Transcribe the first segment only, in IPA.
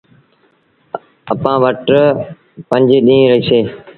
ə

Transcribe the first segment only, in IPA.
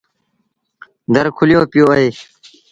d̪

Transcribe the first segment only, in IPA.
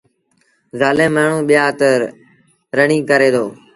z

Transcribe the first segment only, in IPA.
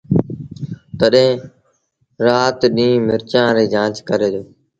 t̪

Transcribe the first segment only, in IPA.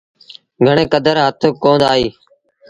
ɡʱ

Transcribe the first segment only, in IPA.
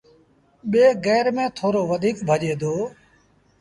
ɓ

